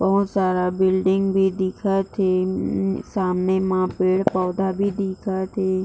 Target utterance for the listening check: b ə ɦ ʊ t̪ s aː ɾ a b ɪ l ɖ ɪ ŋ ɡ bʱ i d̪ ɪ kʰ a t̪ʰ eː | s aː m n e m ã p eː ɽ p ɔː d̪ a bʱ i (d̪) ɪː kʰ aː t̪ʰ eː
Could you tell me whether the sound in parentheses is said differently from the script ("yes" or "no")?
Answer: no